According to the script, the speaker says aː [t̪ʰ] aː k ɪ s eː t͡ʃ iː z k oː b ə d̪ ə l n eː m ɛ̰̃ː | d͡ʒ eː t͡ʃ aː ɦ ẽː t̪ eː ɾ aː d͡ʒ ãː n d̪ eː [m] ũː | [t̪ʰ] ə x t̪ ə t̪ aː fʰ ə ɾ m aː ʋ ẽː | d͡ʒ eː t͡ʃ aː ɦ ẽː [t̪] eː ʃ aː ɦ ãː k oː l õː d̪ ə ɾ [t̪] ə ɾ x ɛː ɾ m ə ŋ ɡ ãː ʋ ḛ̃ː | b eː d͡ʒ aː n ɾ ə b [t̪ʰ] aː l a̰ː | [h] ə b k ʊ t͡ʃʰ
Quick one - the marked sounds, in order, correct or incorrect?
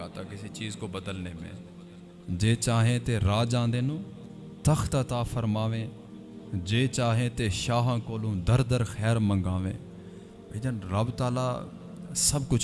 incorrect: t̪, incorrect: n, incorrect: t̪, correct, incorrect: d̪, incorrect: t̪, incorrect: s

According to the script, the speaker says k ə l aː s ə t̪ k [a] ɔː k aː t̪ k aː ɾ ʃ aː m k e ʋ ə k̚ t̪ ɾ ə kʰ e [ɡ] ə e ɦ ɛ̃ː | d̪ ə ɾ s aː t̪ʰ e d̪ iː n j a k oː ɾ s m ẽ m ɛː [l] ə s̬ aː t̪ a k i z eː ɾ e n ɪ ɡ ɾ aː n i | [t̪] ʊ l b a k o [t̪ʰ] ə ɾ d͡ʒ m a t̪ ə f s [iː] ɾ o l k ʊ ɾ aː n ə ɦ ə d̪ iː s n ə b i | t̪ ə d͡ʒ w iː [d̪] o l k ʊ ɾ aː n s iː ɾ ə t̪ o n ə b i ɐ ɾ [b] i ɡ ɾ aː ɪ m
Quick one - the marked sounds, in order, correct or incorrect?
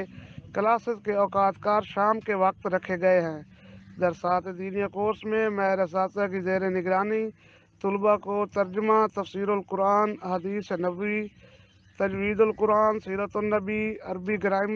incorrect: e, correct, incorrect: ɾ, correct, incorrect: t̪, correct, correct, correct

